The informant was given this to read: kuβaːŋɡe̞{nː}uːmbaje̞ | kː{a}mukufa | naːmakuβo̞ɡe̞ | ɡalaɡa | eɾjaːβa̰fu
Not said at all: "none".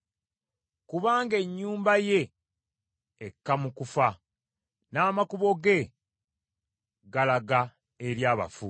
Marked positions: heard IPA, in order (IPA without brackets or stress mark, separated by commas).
ɲː, a